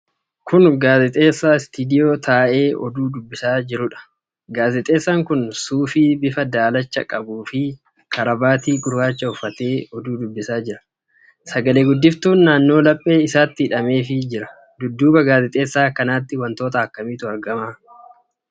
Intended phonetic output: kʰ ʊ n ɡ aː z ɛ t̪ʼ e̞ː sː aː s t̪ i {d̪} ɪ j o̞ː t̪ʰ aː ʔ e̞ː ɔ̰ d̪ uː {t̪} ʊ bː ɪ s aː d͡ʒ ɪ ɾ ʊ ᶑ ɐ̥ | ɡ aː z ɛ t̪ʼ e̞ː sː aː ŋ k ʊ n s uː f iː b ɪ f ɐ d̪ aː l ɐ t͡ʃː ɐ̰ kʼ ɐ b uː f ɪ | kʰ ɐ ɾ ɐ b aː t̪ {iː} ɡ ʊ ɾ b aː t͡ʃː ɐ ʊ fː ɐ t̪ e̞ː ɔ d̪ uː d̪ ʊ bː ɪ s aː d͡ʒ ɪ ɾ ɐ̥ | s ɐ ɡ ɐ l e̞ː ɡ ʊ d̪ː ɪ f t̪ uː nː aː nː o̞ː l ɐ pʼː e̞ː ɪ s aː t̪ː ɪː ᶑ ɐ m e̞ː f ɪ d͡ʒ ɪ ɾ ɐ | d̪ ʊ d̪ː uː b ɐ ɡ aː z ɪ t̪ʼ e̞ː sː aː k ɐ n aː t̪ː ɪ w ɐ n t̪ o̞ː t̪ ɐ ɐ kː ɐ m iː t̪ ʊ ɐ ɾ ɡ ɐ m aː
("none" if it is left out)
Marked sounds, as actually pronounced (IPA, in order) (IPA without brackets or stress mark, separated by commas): d̪, d̪, iː